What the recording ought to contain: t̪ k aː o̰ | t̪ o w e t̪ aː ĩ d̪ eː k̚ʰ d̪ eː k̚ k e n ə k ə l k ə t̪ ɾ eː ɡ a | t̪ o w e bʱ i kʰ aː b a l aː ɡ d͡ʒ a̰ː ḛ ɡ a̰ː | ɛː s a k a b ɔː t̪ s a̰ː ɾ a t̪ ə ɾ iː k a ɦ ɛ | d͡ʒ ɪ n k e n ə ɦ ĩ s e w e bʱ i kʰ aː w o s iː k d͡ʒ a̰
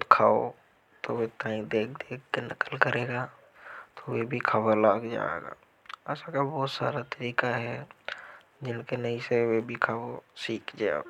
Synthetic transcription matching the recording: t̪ kʰ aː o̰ | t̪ o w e t̪ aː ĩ d̪ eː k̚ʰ d̪ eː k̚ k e n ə k ə l k ə ɾ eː ɡ a | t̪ o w e bʱ i kʰ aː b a l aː ɡ d͡ʒ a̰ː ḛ ɡ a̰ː | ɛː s a k a b ɔː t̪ s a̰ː ɾ a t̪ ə ɾ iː k a ɦ ɛ | d͡ʒ ɪ n k e n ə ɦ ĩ s e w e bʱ i kʰ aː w o s iː k d͡ʒ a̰